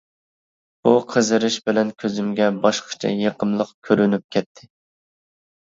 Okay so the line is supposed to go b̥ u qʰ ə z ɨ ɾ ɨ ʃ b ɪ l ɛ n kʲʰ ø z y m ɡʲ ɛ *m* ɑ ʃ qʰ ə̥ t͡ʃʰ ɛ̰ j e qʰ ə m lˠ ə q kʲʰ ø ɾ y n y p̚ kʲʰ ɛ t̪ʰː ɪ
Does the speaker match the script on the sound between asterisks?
no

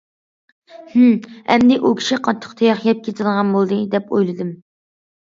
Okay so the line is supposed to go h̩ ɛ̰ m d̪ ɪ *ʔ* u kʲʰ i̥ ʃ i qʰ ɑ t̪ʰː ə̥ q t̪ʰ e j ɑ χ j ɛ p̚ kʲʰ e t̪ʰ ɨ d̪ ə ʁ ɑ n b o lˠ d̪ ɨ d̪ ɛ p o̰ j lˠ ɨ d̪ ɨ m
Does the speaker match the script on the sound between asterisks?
yes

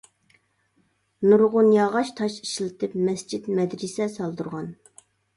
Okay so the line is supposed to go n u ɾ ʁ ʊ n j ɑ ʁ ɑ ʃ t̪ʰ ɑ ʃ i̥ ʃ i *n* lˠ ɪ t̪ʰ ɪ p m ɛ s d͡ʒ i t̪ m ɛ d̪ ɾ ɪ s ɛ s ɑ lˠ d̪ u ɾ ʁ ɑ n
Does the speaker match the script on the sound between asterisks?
no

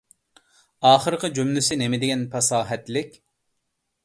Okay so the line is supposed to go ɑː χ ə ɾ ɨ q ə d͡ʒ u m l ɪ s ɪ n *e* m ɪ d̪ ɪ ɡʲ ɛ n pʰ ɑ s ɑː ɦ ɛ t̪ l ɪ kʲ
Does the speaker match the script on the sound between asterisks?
yes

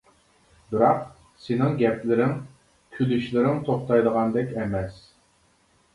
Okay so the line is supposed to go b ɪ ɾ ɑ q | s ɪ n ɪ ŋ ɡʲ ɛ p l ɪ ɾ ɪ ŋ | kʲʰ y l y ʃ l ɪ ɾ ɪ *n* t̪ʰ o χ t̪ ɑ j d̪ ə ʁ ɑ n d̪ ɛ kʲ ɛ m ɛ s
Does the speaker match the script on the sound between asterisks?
no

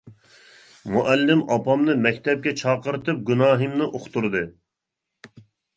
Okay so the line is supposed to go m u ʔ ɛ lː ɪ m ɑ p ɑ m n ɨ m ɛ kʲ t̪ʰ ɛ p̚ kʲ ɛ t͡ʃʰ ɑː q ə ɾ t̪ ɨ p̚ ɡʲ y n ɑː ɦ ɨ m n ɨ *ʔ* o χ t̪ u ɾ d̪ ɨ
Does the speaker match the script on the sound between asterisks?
yes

